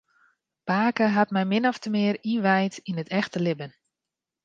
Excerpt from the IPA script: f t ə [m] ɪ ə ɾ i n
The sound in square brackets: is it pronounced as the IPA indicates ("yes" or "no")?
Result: yes